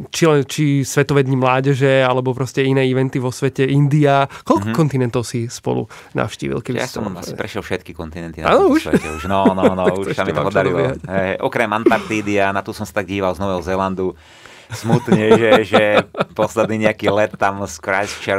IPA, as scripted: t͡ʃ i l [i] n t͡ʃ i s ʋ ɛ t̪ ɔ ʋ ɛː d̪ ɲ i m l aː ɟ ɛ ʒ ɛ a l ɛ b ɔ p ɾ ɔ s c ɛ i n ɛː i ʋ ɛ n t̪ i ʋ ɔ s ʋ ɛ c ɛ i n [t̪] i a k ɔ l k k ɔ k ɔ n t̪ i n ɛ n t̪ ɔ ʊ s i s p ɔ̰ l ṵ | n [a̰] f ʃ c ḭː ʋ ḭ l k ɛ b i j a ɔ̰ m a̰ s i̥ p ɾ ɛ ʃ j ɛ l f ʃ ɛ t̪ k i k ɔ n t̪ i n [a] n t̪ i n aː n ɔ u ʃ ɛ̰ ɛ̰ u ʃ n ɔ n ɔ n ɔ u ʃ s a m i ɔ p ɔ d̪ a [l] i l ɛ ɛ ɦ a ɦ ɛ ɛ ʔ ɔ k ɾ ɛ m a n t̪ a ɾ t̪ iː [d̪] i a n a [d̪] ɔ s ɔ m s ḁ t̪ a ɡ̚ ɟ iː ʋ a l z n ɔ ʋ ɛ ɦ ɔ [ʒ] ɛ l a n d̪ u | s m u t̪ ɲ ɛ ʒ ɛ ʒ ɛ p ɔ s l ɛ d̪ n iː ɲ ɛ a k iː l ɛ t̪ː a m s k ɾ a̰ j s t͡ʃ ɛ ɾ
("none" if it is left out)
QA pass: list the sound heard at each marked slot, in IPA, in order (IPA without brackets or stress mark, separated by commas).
ɛ, d̪, a̰, ɛ, ɾ, d̪, t̪, z